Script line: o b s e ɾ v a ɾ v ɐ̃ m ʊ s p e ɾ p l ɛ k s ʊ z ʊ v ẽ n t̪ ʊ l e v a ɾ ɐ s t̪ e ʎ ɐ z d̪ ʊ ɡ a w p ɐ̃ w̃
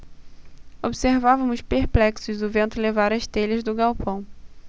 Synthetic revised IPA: o b s e ɾ v a v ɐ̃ m ʊ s p e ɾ p l ɛ k s ʊ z ʊ v ẽ n t̪ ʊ l e v a ɾ ɐ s t̪ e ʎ ɐ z d̪ ʊ ɡ a w p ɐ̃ w̃